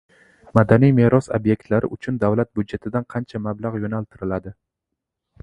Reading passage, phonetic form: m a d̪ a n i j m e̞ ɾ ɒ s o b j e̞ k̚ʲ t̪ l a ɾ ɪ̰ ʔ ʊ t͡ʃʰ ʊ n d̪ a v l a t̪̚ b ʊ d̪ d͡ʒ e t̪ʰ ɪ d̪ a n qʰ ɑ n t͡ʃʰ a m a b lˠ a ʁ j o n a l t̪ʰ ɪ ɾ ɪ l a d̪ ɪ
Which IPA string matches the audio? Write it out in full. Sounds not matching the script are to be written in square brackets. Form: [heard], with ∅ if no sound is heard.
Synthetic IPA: m a d̪ a n i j m e̞ ɾ ɒ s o b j e̞ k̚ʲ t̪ l a ɾ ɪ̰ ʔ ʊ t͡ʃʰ ʊ n d̪ a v l a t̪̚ b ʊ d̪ d͡ʒ e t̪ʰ ɪ d̪ a n qʰ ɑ n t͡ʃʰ a m a b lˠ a ʁ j o n a l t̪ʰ ɪ ɾ ɪ l a d̪ ɪ

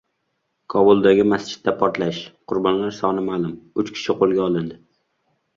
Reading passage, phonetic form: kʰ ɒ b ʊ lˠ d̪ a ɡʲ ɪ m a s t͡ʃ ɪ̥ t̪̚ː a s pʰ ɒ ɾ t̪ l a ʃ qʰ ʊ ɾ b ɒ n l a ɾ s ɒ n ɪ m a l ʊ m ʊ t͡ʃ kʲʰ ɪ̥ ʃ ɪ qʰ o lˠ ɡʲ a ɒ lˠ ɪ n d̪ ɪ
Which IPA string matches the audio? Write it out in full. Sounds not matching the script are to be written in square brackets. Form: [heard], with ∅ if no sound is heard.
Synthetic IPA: kʰ ɒ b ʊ lˠ d̪ a ɡʲ ɪ m a s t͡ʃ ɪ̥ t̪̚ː a [∅] pʰ ɒ ɾ t̪ l a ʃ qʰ ʊ ɾ b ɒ n l a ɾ s ɒ n ɪ m a l ʊ m ʊ t͡ʃ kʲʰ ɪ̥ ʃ ɪ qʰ o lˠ ɡʲ a ɒ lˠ ɪ n d̪ ɪ

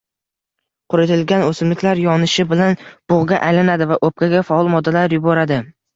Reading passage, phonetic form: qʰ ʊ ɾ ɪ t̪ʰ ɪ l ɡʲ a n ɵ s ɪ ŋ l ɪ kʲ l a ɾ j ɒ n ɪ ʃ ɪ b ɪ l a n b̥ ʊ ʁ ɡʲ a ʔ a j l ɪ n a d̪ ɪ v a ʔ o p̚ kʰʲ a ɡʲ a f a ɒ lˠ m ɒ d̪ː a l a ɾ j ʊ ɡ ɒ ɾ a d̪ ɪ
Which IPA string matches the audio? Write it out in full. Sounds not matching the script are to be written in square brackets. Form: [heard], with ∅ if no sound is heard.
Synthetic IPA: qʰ ʊ ɾ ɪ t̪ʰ ɪ l ɡʲ a n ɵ s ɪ [m] l ɪ kʲ l a ɾ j ɒ n ɪ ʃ ɪ b ɪ l a n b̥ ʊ ʁ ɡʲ a ʔ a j l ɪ n a d̪ ɪ v a ʔ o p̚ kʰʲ a ɡʲ a f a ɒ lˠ m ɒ d̪ː a l a ɾ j ʊ [b] ɒ ɾ a d̪ ɪ

